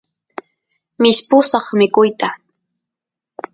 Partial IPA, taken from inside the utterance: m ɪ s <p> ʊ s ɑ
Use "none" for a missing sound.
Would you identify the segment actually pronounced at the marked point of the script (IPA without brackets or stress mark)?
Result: p